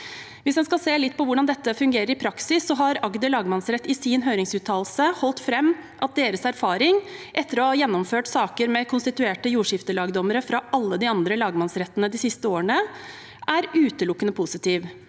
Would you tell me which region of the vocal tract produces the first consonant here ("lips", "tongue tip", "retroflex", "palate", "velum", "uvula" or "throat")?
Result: lips